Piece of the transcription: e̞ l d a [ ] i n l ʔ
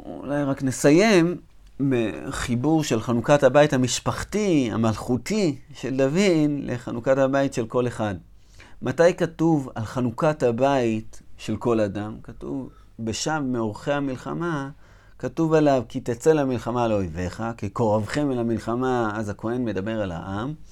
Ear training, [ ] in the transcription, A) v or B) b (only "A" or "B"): A